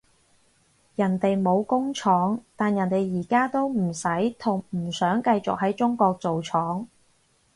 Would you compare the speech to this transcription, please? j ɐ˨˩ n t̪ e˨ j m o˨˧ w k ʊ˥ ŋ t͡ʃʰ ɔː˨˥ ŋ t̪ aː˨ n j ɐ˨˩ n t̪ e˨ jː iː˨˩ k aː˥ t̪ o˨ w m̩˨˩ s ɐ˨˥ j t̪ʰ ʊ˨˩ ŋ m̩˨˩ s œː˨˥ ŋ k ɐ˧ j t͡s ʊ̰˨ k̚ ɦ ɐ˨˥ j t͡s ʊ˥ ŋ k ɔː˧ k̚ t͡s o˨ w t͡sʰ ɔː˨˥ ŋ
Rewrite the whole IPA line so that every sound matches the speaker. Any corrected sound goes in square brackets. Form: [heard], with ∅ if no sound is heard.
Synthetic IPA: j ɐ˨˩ n t̪ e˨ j m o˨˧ w k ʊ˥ ŋ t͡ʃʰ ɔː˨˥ ŋ t̪ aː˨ n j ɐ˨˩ n t̪ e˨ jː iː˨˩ k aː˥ t̪ [o˥] w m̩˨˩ s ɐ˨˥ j t̪ʰ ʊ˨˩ ŋ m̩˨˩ s œː˨˥ ŋ k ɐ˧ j t͡s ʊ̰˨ k̚ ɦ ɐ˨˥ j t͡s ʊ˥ ŋ k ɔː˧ k̚ t͡s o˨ w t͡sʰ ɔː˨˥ ŋ

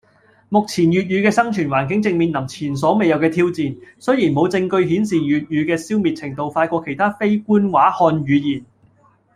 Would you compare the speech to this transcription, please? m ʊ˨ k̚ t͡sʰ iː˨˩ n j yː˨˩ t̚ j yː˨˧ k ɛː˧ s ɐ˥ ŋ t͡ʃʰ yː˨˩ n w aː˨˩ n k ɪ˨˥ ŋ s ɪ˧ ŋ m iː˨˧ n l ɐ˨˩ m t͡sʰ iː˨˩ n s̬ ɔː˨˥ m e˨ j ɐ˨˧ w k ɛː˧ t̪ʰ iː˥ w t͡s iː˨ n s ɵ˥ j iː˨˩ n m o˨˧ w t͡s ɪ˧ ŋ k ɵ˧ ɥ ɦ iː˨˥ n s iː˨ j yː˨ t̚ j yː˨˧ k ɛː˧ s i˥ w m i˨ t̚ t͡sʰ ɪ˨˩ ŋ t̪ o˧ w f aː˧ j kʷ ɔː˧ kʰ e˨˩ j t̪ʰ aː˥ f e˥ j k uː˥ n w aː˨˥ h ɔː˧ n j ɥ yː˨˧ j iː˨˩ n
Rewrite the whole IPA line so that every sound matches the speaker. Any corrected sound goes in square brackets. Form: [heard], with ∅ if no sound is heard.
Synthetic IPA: m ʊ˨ k̚ t͡sʰ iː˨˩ n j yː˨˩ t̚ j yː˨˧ k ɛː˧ s ɐ˥ ŋ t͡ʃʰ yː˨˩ n w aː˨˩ n k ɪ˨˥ ŋ [t͡s] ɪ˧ ŋ m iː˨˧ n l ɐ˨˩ m t͡sʰ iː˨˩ n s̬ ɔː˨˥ m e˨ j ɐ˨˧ w k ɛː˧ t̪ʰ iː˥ w t͡s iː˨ n s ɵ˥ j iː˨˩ n m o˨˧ w t͡s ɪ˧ ŋ k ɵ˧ ɥ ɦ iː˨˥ n s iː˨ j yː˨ t̚ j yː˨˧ k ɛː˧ s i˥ w m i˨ t̚ t͡sʰ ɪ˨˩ ŋ t̪ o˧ w f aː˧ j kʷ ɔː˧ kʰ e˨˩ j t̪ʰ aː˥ f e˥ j k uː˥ n w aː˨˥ h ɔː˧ n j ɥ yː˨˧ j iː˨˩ n

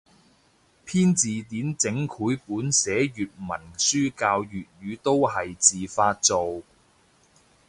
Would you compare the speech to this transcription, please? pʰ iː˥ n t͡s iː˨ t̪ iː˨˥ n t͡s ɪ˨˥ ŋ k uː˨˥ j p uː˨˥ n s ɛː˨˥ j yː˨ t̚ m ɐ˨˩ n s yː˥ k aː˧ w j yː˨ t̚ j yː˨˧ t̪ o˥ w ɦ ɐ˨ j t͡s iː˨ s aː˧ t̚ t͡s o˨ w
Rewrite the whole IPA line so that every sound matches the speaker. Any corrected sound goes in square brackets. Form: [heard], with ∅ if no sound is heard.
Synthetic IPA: pʰ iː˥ n t͡s iː˨ t̪ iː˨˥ n t͡s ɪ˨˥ ŋ [kʰ] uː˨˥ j p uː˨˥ n s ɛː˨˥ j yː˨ t̚ m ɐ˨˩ n s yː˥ k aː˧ w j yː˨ t̚ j yː˨˧ t̪ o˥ w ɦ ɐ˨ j t͡s iː˨ [f] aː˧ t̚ t͡s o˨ w

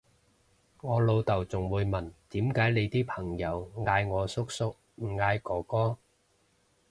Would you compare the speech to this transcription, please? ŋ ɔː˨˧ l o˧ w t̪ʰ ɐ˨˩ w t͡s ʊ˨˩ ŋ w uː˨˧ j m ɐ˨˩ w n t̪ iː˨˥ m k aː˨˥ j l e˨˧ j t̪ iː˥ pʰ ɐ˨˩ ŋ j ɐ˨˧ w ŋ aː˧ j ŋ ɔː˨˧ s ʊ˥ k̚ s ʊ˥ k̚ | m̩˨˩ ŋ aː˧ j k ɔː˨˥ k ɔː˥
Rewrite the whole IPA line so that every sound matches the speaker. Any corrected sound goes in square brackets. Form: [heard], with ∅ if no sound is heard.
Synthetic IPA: ŋ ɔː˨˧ l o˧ w [t̪] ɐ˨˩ w t͡s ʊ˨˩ ŋ w uː˨˧ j m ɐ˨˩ [∅] n t̪ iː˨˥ m k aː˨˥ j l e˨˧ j t̪ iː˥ pʰ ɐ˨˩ ŋ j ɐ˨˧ w ŋ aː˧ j ŋ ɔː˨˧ s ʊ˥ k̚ s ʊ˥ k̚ | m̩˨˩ ŋ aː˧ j k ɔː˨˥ k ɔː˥

